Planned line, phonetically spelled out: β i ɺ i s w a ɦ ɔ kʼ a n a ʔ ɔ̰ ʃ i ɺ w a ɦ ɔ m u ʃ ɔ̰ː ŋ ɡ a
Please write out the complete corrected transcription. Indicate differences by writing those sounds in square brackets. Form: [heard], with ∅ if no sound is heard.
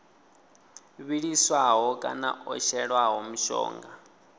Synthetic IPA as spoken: β i ɺ i s w a ɦ ɔ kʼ a n a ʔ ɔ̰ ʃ [ɛ] ɺ w a ɦ ɔ m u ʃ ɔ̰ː ŋ ɡ a